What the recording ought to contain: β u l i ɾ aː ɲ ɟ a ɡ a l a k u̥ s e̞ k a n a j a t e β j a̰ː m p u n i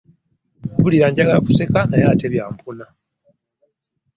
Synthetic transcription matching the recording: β u l i ɾ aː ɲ ɟ a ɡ a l a k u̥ s e̞ k a n a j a t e β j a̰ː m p u n a